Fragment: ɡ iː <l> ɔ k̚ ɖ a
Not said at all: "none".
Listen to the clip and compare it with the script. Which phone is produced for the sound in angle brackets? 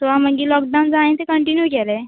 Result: l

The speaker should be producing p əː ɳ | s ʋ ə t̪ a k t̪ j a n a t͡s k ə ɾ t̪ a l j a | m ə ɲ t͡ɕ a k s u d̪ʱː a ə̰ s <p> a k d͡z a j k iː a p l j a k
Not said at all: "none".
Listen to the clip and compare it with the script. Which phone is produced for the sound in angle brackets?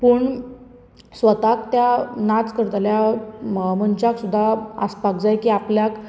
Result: p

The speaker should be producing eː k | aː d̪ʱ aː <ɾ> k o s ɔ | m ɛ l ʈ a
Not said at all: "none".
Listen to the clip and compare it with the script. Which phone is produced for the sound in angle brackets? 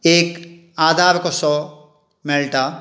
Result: ɾ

